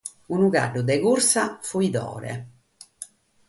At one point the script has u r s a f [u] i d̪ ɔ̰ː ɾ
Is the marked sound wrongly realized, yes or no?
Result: no